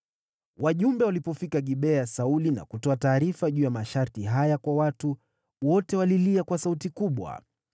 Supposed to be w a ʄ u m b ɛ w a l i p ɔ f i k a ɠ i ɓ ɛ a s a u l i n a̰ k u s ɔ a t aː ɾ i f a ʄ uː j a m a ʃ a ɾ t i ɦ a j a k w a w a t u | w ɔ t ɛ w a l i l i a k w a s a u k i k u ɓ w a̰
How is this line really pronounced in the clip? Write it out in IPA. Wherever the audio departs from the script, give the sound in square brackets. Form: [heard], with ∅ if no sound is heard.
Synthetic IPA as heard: w a ʄ u m b ɛ w a l i p ɔ f i k a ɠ i ɓ ɛ a s a u l i n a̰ k u [t] ɔ a t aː ɾ i f a ʄ uː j a m a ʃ a ɾ t i ɦ a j a k w a w a t u | w ɔ t ɛ w a l i l i a k w a s a u [t] i k u ɓ w a̰